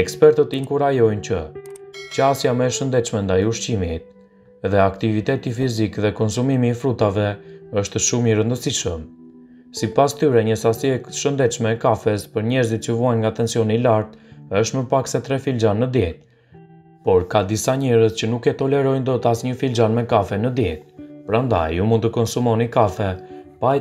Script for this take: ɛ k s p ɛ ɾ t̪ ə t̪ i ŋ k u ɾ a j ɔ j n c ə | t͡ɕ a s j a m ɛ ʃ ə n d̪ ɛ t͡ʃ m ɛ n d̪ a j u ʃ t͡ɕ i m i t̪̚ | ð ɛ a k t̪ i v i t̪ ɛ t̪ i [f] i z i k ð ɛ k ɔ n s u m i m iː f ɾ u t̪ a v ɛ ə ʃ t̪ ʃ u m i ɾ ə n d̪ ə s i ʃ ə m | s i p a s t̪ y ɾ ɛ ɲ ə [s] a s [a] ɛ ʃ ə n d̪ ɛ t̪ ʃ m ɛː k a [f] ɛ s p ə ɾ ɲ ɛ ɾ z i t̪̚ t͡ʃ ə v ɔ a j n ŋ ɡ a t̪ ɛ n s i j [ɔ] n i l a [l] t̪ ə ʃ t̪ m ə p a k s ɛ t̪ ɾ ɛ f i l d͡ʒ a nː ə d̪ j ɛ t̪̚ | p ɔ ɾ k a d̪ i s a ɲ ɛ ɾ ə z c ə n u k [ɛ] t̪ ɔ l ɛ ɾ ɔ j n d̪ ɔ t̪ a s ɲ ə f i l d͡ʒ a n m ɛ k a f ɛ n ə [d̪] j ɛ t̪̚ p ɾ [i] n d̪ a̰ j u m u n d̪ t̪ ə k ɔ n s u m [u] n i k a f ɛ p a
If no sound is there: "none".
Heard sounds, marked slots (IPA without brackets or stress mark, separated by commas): f, s, i, f, ɔ, ɾ, ɛ, d̪, a, ɔ